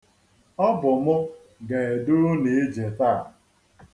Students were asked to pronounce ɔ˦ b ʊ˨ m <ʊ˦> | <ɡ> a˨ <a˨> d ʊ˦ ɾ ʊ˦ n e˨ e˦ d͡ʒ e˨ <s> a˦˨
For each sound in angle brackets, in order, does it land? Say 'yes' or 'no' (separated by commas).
yes, yes, no, no